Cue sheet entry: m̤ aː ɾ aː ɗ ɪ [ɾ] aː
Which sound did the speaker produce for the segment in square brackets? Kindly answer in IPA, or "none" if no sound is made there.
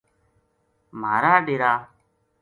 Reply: ɾ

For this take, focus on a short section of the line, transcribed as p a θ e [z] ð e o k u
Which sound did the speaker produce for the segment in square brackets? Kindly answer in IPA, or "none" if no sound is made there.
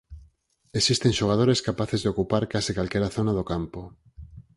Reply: z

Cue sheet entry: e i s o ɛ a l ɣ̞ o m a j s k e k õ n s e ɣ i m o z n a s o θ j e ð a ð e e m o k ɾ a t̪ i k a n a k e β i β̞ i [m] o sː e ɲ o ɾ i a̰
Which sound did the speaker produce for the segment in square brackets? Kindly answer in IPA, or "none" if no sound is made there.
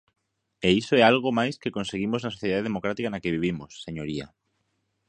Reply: m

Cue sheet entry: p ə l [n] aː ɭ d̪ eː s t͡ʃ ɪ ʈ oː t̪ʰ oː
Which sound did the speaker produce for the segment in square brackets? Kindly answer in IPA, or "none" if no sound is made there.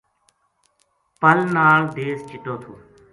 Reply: n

